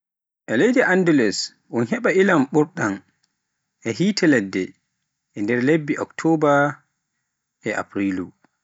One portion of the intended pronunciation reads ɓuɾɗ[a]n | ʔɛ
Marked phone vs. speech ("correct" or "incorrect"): correct